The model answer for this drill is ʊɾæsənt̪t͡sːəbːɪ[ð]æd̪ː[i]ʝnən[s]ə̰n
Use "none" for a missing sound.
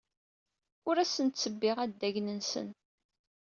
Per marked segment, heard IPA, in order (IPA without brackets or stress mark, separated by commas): ʁ, æ, s